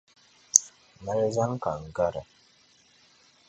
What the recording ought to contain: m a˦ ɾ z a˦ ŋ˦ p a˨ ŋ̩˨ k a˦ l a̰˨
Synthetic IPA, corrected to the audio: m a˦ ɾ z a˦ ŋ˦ k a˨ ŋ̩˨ ɡ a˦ ɾ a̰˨